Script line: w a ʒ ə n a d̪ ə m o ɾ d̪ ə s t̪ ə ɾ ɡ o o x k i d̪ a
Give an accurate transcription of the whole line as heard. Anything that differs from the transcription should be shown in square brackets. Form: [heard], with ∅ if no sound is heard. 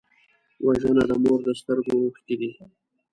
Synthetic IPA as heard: w a ʒ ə n a d̪ ə m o ɾ d̪ ə s t̪ ə ɾ ɡ o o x k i d̪ [i]